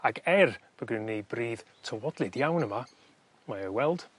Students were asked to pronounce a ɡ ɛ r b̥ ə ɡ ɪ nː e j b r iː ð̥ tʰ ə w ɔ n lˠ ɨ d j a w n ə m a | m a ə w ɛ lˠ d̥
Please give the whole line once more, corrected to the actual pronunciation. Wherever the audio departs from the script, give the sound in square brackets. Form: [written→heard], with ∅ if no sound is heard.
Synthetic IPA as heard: a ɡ ɛ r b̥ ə ɡ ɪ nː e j b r iː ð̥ tʰ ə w ɔ [n→d] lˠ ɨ d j a w n ə m a | m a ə w ɛ lˠ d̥